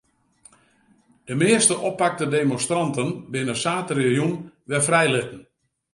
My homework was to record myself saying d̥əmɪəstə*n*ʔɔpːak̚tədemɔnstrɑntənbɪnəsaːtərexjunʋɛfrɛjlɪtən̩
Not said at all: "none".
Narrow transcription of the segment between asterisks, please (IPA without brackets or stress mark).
none